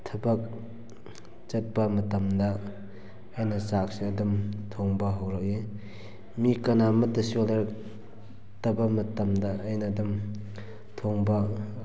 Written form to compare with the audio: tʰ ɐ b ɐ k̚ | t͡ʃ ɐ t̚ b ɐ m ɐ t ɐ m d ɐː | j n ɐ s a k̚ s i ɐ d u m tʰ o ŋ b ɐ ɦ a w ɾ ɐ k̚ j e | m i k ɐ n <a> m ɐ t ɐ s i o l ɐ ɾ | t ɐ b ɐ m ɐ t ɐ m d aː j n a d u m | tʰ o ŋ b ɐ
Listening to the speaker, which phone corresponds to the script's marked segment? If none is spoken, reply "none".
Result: a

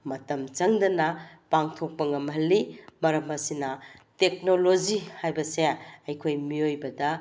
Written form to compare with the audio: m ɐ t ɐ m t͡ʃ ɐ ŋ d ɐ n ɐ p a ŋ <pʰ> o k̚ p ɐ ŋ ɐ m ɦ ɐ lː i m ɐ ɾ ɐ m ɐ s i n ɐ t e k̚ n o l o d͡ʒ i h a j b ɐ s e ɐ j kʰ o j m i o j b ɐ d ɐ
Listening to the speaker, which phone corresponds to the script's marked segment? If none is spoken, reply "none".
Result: tʰ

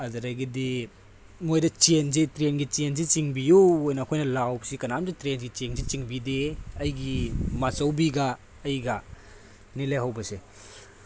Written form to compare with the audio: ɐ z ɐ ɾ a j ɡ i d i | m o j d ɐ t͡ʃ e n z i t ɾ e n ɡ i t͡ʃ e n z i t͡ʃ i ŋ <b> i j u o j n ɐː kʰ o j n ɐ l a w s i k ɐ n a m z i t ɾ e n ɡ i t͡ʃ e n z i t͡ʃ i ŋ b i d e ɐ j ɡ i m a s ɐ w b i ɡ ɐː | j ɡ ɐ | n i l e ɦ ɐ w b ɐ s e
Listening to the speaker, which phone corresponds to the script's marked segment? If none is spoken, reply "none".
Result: b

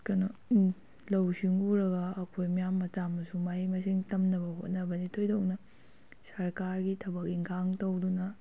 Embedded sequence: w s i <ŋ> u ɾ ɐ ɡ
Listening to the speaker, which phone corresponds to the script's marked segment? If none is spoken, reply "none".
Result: ŋ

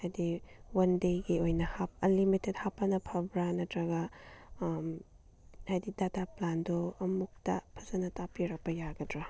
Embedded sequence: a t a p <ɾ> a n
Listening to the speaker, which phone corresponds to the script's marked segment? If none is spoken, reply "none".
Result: l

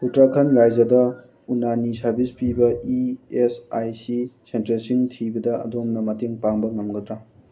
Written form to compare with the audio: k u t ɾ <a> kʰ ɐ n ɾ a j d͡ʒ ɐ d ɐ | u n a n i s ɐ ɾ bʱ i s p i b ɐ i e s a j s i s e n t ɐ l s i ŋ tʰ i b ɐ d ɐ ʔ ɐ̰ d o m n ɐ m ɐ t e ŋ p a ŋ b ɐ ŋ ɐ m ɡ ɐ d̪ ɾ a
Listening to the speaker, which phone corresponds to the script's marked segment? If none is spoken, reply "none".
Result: a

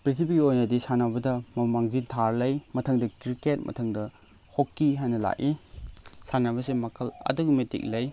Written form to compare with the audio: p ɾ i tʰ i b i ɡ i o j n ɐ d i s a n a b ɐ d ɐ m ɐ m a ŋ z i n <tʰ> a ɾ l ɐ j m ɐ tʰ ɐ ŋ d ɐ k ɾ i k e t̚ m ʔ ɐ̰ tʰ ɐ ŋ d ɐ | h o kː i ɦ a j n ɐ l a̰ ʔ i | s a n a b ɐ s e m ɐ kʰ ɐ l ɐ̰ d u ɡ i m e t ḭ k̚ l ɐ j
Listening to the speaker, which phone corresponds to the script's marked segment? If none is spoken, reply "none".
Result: tʰ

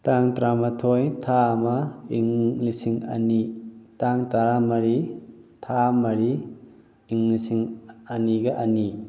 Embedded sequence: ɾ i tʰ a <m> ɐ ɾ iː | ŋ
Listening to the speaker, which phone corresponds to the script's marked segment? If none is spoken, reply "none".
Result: m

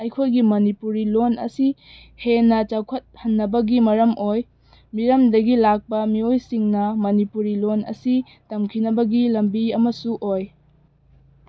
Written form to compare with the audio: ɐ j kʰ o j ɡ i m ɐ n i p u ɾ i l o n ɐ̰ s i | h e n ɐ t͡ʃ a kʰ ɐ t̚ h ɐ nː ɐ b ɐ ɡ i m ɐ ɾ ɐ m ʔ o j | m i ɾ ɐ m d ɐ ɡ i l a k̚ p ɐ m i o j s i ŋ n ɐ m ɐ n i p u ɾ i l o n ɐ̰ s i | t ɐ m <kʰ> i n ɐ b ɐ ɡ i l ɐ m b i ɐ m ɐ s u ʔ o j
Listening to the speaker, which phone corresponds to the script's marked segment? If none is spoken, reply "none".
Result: kʰ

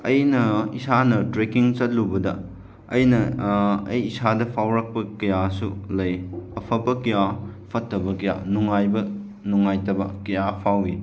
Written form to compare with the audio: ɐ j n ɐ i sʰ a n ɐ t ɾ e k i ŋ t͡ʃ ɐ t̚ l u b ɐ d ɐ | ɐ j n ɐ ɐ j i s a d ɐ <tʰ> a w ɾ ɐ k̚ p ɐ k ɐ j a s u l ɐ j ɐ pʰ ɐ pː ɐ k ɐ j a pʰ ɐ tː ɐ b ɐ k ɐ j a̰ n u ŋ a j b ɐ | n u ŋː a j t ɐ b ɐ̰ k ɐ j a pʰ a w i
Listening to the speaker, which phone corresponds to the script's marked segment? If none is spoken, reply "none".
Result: pʰ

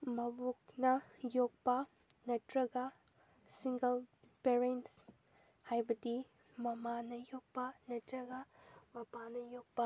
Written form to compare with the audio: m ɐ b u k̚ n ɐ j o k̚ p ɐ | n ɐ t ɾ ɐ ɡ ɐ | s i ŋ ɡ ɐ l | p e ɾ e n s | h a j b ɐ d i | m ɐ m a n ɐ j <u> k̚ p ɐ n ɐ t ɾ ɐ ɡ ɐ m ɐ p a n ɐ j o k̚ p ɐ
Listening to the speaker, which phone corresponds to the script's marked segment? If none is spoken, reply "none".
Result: o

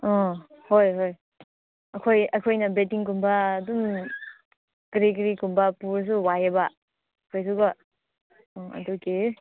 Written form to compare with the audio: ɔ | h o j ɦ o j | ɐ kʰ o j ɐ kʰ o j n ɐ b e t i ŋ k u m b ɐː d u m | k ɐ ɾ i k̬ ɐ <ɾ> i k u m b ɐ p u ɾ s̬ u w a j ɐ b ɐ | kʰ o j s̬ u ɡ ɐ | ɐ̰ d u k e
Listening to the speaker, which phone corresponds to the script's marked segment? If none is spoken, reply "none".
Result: ɾ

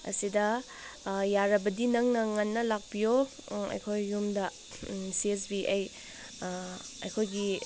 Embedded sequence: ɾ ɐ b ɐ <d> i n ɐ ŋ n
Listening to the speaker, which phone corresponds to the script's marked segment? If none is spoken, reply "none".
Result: d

